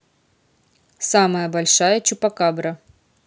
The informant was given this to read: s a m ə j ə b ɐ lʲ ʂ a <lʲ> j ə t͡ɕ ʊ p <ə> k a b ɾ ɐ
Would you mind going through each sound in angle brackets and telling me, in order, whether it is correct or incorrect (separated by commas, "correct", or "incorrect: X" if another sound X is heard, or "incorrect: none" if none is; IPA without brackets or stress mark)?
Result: incorrect: none, incorrect: ɐ